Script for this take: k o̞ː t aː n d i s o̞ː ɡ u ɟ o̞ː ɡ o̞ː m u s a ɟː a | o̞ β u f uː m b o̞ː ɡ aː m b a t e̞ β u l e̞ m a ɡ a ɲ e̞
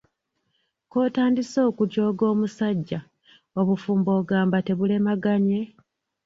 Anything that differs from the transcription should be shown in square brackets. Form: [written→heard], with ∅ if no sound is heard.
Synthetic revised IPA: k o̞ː t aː n d i s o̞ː [ɡ→k] u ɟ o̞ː ɡ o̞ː m u s a ɟː a | o̞ β u f uː m b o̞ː ɡ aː m b a t e̞ β u l e̞ m a ɡ a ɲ e̞